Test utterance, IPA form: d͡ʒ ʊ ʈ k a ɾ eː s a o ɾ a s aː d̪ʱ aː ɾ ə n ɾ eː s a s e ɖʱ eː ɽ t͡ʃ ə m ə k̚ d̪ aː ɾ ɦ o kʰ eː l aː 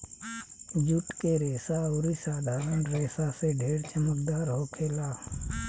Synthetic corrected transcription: d͡ʒ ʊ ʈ k e ɾ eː s a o ɾ i s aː d̪ʱ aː ɾ ə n ɾ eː s a s e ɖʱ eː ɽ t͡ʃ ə m ə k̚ d̪ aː ɾ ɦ o kʰ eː l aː